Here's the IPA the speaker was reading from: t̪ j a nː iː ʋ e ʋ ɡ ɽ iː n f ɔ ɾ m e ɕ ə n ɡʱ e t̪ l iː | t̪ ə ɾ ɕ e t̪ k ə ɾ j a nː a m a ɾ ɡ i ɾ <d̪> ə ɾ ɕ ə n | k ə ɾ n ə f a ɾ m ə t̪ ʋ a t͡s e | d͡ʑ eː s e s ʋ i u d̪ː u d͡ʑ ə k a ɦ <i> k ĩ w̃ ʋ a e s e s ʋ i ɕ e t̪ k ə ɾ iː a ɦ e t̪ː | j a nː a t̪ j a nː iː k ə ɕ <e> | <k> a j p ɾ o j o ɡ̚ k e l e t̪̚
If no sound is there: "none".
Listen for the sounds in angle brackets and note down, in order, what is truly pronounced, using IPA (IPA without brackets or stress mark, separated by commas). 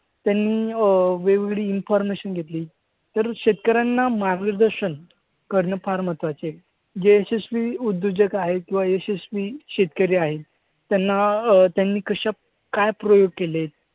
d̪, e, a, k